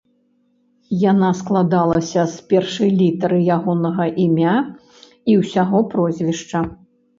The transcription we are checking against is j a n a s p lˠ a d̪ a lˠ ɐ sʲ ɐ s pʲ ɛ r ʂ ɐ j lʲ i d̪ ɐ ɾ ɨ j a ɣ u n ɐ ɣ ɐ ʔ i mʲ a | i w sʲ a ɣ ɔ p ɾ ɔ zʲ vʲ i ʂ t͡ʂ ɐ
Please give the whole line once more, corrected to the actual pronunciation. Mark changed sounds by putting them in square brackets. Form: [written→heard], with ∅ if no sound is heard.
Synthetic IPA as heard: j a n a s [p→k] lˠ a d̪ a lˠ ɐ sʲ ɐ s pʲ ɛ r ʂ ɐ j lʲ i [d̪→t̪] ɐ ɾ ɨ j a ɣ [u→ɔ] n ɐ ɣ ɐ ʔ i mʲ a | i w sʲ a ɣ ɔ p ɾ ɔ zʲ vʲ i ʂ t͡ʂ ɐ